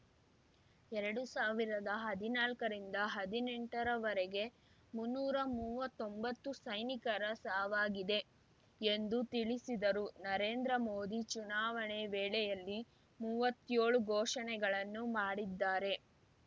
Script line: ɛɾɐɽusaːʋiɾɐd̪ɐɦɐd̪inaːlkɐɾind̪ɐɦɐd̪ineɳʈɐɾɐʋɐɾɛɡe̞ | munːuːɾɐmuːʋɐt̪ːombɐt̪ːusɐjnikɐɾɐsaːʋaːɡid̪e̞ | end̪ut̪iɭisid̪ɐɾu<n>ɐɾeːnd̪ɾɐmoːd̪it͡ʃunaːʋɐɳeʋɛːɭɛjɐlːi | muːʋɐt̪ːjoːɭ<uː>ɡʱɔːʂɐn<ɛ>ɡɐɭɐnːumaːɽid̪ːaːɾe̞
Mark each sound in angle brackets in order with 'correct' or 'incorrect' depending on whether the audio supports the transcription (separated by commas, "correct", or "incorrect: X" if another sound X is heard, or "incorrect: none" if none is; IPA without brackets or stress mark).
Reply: correct, incorrect: u, correct